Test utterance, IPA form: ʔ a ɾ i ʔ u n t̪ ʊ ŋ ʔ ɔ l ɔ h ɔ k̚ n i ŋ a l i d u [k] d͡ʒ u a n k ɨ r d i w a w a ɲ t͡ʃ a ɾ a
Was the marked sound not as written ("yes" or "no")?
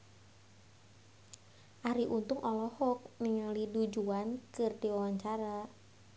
yes